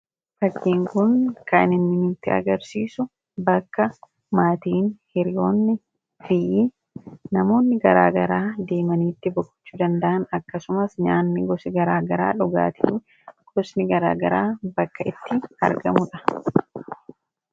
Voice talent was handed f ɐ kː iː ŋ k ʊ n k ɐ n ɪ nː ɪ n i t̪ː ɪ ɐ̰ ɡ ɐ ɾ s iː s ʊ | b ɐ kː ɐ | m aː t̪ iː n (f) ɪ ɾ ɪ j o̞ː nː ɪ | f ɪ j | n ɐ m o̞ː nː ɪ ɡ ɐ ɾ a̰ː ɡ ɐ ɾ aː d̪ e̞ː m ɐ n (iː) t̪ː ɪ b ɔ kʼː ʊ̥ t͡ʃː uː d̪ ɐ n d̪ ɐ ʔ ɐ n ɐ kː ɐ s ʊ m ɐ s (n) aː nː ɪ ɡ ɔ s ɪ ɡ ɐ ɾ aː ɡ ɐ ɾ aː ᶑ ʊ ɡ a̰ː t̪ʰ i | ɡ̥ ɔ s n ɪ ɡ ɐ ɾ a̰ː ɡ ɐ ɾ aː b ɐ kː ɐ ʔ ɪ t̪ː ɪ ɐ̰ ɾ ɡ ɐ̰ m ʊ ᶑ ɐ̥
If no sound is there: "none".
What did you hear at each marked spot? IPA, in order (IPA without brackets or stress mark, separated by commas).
h, iː, ɲ